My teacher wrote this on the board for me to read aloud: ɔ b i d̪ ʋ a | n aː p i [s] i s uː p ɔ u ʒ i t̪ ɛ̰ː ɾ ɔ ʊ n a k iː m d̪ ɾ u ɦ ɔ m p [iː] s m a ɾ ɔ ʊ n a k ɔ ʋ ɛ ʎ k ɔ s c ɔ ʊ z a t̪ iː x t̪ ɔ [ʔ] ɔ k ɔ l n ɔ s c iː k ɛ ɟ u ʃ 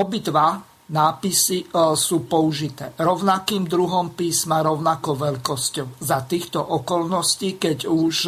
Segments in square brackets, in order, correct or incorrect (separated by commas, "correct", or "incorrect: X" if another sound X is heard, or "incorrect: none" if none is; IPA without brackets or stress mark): correct, correct, correct